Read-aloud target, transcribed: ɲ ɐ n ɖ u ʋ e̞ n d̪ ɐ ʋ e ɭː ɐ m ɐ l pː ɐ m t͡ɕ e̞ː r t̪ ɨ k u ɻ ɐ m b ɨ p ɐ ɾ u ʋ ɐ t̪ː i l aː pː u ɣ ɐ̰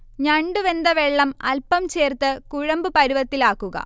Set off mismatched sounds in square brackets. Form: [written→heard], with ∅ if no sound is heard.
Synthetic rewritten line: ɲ ɐ [n→ɳ] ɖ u ʋ e̞ n d̪ ɐ ʋ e ɭː ɐ m ɐ l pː ɐ m t͡ɕ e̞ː r t̪ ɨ k u ɻ ɐ m b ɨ p ɐ ɾ u ʋ ɐ t̪ː i l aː [pː→kː] u ɣ ɐ̰